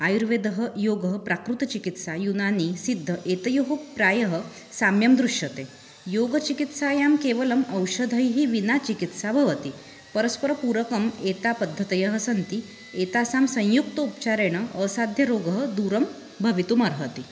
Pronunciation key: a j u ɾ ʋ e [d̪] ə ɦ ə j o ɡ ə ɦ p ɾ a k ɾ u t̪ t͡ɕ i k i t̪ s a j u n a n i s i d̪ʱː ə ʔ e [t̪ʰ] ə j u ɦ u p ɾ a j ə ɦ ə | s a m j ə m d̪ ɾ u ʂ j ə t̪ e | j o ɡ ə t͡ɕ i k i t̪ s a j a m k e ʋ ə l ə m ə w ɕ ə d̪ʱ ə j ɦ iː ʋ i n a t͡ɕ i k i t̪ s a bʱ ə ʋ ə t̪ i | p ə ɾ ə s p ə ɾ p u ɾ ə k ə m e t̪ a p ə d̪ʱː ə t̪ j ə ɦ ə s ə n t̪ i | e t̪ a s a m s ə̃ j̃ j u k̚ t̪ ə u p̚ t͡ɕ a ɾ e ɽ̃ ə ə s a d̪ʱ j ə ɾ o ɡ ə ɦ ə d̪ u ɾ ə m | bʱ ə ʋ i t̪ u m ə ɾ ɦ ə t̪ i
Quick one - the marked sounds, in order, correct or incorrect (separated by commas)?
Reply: correct, incorrect